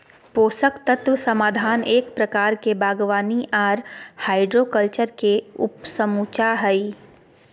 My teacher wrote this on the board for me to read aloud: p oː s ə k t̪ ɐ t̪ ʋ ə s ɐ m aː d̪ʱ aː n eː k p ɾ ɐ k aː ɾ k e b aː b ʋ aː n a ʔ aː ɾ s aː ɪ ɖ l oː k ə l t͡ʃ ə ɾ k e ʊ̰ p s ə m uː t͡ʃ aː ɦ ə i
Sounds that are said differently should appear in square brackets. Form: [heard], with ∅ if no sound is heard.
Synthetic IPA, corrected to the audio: p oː s ə k t̪ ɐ t̪ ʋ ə s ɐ m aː d̪ʱ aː n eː k p ɾ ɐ k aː ɾ k e b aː [ɡ] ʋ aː n [i] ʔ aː ɾ [h] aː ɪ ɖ [ɾ] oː k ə l t͡ʃ ə ɾ k e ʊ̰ p s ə m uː t͡ʃ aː ɦ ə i